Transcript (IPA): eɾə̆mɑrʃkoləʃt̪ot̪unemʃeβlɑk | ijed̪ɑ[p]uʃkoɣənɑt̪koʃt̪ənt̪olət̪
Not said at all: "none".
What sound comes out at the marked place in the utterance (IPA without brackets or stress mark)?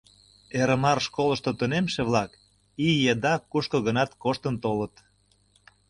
k